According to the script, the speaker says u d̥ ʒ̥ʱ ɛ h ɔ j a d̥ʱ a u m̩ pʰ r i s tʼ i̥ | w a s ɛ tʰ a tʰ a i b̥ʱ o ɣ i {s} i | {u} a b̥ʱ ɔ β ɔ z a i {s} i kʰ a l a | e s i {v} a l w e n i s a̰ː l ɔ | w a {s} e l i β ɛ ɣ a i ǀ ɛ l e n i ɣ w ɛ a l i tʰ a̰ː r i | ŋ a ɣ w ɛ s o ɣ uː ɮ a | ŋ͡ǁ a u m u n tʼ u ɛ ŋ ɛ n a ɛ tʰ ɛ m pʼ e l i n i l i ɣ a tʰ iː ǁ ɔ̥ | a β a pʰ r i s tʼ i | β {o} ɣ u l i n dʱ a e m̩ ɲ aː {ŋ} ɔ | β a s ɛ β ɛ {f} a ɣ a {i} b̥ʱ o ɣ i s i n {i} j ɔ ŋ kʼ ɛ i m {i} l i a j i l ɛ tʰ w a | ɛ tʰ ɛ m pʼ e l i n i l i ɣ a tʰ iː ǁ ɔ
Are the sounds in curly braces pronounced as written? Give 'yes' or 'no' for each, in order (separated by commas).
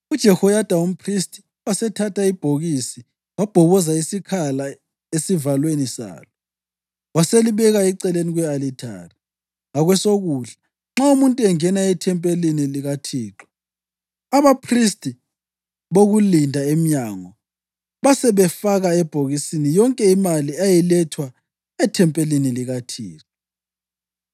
yes, no, yes, yes, yes, yes, yes, yes, no, yes, no